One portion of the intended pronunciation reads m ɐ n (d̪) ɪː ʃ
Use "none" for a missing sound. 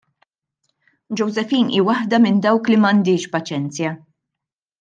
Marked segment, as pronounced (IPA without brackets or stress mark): d̪